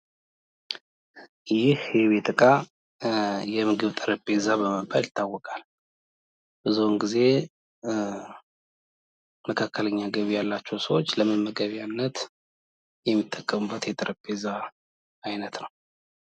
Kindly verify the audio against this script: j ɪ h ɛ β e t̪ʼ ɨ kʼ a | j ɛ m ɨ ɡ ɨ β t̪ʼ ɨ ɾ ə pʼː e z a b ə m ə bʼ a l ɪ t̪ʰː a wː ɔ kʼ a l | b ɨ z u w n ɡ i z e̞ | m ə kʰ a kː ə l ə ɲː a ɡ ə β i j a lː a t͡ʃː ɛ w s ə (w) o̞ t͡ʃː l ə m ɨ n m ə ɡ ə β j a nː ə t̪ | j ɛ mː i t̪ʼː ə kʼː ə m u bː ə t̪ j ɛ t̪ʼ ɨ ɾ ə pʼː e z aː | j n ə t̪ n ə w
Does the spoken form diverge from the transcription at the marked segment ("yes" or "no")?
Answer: no